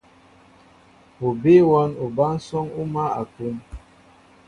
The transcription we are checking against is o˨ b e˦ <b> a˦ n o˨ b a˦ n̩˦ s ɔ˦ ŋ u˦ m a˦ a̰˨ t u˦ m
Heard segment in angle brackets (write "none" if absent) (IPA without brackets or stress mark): w